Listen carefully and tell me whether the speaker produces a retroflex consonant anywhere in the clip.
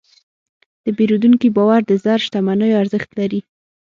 no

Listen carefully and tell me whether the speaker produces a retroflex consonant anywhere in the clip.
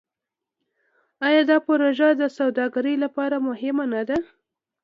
no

